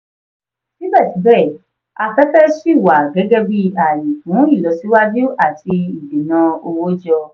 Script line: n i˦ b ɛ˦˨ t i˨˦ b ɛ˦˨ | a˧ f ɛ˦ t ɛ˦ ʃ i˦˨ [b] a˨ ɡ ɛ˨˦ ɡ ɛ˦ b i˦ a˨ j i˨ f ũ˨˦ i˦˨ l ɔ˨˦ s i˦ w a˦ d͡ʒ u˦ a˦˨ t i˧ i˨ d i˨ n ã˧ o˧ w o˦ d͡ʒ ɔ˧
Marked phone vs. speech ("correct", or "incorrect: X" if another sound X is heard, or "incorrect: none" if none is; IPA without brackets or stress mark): incorrect: w